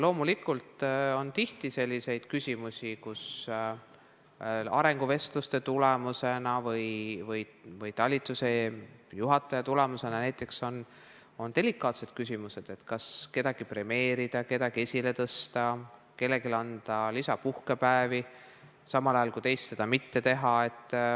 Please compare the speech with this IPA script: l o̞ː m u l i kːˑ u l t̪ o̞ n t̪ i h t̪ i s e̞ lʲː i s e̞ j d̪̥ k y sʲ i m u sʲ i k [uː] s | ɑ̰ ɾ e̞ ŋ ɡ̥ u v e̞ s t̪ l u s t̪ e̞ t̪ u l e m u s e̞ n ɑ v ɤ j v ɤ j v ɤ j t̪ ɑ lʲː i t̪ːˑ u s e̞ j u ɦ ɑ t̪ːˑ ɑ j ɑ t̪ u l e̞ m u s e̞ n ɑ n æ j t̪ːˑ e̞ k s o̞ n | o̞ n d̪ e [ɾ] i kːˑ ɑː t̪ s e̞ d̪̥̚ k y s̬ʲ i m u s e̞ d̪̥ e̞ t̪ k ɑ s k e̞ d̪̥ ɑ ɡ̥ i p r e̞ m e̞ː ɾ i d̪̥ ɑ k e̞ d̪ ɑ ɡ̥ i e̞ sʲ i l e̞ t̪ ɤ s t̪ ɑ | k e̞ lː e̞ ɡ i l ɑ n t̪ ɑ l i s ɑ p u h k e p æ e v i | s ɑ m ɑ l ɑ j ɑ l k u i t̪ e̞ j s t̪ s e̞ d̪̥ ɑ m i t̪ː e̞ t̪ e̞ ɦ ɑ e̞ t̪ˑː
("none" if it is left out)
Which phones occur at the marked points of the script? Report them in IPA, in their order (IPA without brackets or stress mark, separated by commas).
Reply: u, l